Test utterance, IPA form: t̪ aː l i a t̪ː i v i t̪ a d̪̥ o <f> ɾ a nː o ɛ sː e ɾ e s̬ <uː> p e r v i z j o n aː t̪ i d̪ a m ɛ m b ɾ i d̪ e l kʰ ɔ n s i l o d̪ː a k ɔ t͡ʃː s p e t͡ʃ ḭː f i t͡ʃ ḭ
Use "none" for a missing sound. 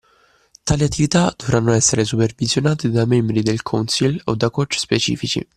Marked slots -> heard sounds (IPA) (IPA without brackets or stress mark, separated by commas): v, u